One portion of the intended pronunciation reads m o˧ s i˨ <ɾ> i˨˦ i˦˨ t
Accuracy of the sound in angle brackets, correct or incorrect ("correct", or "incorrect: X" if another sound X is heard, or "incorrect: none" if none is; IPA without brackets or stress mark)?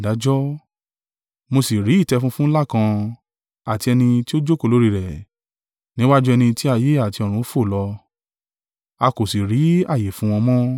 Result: correct